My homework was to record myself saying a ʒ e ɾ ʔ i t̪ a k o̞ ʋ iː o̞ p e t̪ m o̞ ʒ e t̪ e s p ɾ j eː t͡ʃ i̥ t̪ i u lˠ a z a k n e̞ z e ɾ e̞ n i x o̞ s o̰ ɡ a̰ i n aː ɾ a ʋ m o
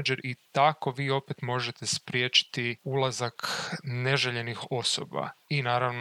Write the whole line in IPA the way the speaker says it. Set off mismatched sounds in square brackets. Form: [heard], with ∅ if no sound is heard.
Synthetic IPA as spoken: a [d͡ʒ] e ɾ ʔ i t̪ a k o̞ ʋ iː o̞ p e t̪ m o̞ ʒ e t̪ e s p ɾ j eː t͡ʃ i̥ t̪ i u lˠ a z a k n e̞ [ʒ] e [ʎ] e̞ n i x o̞ s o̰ [b] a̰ i n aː ɾ a ʋ [n] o